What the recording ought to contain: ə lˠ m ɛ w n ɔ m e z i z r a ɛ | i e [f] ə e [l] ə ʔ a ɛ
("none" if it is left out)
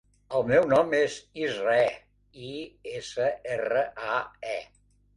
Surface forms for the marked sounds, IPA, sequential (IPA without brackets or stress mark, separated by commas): s, r